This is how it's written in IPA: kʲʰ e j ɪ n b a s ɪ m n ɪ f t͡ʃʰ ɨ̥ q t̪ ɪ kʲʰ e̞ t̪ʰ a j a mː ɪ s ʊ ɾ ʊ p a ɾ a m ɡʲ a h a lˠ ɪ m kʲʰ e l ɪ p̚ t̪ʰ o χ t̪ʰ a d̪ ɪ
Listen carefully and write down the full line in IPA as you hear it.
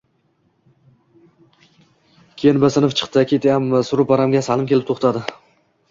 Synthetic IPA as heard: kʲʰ e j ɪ n b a s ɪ n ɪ f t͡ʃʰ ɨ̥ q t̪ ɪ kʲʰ e̞ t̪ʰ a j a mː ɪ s ʊ ɾ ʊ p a ɾ a m ɡʲ a s a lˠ ɪ m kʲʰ e l ɪ p̚ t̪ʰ o χ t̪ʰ a d̪ ɪ